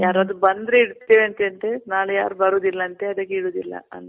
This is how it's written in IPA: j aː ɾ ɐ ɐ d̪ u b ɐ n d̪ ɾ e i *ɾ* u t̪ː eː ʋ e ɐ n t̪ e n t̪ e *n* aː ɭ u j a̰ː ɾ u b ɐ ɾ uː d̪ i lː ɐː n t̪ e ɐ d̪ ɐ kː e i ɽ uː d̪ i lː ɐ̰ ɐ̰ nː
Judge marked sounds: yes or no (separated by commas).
no, yes